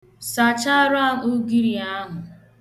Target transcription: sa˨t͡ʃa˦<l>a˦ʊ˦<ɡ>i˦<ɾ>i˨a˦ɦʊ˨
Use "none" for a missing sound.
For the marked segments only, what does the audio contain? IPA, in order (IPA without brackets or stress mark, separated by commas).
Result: ɾ, ɡ, ɾ